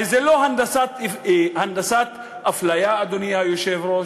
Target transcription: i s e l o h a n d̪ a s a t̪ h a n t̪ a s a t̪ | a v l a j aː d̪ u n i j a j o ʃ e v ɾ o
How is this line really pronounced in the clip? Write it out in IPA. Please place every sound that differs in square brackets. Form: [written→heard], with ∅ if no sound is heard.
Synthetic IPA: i [s→z] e l o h a n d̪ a s a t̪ h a n [t̪→d̪] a s a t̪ | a [v→f] l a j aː d̪ [u→o] n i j a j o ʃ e v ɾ o